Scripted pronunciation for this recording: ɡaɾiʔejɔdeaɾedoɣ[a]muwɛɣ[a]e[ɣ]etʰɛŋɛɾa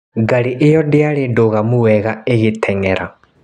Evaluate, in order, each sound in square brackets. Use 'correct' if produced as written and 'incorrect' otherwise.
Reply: correct, correct, correct

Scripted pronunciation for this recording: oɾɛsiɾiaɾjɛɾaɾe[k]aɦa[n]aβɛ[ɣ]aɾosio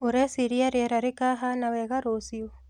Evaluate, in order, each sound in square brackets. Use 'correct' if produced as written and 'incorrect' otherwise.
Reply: correct, correct, correct

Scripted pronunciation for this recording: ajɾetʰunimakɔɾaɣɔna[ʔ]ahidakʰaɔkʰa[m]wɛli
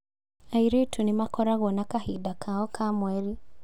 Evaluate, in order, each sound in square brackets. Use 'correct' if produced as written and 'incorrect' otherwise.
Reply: incorrect, correct

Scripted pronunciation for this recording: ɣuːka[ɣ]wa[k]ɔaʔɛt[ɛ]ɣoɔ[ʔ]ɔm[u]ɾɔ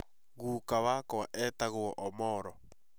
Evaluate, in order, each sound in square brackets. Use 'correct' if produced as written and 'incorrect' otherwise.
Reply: incorrect, correct, incorrect, correct, incorrect

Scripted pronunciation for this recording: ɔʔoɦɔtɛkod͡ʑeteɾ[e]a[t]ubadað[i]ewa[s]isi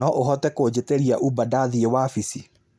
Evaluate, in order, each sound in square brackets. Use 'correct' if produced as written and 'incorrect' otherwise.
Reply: incorrect, incorrect, correct, incorrect

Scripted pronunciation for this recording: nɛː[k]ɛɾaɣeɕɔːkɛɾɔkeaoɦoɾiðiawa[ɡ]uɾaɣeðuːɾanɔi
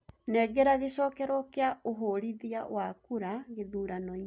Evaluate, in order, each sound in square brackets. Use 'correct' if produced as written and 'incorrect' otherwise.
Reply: incorrect, incorrect

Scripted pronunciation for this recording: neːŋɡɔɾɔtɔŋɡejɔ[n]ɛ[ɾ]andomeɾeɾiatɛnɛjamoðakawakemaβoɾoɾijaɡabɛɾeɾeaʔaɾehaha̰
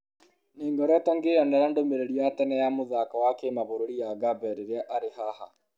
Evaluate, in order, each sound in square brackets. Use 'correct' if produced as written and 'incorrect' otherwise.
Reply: correct, correct

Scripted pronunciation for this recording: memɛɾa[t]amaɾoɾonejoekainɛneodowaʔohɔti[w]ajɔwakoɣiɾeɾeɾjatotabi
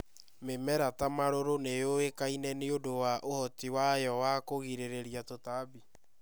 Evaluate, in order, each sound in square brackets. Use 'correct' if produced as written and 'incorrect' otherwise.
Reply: correct, correct

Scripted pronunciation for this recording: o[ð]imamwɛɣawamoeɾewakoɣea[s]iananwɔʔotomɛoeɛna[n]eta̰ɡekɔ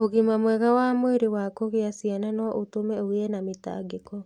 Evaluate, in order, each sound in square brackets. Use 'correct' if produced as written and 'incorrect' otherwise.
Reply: incorrect, correct, incorrect

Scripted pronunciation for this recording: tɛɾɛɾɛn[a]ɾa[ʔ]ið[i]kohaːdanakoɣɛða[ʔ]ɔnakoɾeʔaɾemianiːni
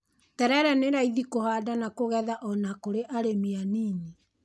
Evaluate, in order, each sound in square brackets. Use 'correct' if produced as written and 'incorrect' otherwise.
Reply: incorrect, incorrect, correct, correct

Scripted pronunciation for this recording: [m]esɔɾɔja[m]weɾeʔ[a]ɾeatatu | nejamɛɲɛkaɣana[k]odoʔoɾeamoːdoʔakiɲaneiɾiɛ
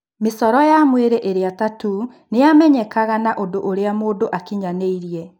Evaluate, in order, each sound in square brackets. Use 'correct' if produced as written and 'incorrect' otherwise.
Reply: correct, correct, incorrect, incorrect

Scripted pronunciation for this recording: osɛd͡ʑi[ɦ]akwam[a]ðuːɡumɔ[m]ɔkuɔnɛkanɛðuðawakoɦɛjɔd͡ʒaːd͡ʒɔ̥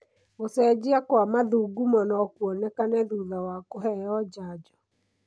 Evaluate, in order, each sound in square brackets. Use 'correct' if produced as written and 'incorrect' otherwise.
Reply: incorrect, correct, incorrect

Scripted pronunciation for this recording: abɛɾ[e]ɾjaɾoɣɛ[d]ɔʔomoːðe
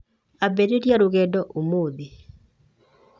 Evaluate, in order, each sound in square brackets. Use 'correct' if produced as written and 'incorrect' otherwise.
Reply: correct, correct

